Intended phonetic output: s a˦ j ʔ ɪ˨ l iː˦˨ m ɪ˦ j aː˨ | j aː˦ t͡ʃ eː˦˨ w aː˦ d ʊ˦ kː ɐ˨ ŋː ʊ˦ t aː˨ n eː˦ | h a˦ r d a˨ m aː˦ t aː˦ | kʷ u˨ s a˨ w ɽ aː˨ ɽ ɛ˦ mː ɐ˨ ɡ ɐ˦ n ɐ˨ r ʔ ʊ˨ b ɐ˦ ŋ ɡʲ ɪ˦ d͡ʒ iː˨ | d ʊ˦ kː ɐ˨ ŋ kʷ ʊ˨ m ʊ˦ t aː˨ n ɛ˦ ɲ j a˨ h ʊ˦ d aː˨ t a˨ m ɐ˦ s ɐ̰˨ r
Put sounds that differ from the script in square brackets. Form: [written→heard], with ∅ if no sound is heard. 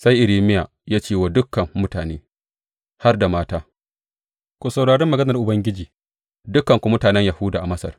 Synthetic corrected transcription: s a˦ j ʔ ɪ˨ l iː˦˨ m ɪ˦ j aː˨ | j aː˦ t͡ʃ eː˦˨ w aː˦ d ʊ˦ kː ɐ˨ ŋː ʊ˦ t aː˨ n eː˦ | h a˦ r d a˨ m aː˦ t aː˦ | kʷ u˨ s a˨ w ɽ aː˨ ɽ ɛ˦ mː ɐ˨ ɡ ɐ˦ n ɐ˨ r ʔ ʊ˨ b ɐ˦ ŋ ɡʲ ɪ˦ d͡ʒ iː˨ | d ʊ˦ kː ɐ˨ ŋ kʷ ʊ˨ m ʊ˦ t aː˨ n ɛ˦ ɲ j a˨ h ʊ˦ d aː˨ [t→ʔ] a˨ m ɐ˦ s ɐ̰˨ r